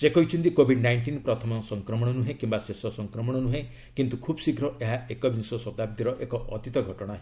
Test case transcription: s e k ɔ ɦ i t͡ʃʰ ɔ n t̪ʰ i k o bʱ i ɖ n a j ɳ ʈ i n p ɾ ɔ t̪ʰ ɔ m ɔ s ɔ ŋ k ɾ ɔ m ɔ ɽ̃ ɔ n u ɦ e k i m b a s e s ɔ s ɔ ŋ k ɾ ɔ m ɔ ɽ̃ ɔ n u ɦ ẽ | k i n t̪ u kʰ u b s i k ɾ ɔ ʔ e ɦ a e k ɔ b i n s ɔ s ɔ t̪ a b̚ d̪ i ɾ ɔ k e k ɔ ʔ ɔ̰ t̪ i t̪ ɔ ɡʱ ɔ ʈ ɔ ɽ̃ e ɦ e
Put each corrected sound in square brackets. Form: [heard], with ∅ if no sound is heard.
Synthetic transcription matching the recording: s e k ɔ ɦ i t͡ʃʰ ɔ n [t̪] i k o bʱ i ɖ n a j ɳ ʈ i n p ɾ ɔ t̪ʰ ɔ m ɔ s ɔ ŋ k ɾ ɔ m ɔ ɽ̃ ɔ n u ɦ e k i m b a s e s ɔ s ɔ ŋ k ɾ ɔ m ɔ ɽ̃ ɔ n u ɦ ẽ | k i n t̪ u kʰ u b s i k ɾ ɔ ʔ e ɦ a e k ɔ b i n s ɔ s ɔ t̪ a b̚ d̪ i ɾ ɔ [ʔ] e k ɔ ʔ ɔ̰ t̪ i t̪ ɔ ɡʱ ɔ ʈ ɔ ɽ̃ [a] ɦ e